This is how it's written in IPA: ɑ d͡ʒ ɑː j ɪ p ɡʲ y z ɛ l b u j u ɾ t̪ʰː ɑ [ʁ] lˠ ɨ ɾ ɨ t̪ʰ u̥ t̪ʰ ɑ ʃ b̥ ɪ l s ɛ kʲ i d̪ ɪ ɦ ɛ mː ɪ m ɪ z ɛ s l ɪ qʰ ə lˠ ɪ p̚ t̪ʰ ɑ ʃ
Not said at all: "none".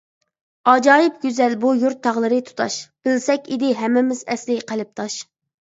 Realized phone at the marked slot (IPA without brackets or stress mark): ʁ